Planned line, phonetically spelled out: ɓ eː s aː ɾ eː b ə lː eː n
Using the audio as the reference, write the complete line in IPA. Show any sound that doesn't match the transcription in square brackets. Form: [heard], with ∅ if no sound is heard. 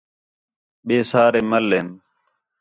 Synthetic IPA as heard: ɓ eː s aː ɾ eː [m] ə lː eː n